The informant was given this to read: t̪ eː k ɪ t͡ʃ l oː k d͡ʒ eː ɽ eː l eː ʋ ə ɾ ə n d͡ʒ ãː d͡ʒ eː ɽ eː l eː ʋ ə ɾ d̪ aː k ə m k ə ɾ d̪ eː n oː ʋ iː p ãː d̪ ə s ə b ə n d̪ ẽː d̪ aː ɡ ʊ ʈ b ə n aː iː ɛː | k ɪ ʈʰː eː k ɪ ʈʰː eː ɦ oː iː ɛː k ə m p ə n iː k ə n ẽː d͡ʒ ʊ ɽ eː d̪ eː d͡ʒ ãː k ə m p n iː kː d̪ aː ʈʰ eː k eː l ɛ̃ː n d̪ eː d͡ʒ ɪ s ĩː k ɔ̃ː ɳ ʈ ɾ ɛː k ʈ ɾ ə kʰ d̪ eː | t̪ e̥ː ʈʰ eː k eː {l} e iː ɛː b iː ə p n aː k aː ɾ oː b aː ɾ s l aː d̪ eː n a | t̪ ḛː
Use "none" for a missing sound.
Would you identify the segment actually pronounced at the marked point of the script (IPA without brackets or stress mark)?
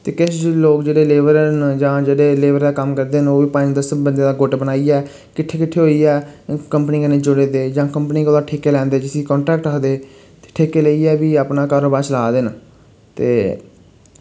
l